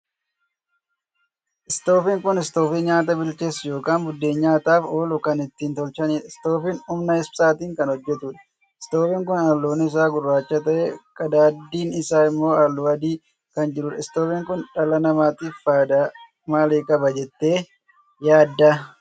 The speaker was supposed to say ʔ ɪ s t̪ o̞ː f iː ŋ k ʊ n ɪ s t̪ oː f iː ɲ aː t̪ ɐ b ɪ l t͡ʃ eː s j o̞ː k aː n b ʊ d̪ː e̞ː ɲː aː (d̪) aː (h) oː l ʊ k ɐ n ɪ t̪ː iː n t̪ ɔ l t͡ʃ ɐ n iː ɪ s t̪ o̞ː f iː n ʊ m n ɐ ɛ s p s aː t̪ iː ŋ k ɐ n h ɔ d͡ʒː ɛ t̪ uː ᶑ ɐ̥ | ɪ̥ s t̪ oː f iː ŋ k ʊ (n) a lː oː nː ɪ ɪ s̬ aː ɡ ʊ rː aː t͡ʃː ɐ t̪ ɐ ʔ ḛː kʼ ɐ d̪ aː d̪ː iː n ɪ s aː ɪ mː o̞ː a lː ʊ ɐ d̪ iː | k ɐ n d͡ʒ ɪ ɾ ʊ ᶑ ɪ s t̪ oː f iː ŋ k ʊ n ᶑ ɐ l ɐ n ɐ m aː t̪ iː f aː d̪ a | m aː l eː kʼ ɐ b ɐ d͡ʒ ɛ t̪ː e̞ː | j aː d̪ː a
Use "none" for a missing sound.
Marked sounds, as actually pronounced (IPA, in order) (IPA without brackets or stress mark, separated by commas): t̪, f, n